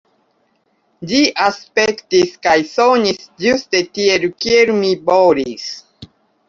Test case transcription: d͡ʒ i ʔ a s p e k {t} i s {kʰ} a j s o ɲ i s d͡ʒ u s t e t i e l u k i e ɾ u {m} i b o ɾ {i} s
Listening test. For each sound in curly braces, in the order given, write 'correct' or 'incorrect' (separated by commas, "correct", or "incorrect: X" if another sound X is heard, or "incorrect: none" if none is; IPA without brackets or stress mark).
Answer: correct, incorrect: k, correct, correct